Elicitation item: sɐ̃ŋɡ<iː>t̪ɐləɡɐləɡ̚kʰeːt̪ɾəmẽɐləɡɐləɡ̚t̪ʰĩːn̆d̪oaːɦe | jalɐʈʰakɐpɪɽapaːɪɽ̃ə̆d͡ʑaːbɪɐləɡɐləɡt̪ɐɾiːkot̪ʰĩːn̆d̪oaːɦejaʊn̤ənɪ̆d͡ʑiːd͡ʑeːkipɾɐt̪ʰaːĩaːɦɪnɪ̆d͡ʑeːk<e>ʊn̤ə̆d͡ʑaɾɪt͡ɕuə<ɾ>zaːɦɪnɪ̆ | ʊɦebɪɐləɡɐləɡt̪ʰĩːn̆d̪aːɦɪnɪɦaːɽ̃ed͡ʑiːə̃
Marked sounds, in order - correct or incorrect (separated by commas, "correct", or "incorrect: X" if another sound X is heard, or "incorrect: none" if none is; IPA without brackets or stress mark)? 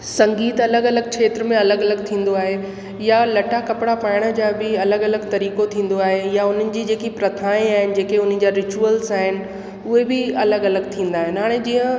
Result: correct, correct, incorrect: l